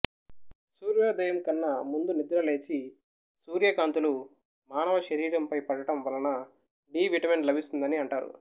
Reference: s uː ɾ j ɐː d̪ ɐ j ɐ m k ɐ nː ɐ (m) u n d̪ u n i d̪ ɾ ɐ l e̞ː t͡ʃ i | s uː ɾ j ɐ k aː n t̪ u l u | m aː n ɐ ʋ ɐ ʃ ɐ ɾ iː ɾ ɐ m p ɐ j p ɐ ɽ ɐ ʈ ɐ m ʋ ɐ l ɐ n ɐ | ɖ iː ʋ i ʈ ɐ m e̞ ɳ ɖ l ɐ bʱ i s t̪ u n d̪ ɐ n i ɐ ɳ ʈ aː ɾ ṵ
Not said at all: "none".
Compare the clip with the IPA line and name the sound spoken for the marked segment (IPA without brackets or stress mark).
m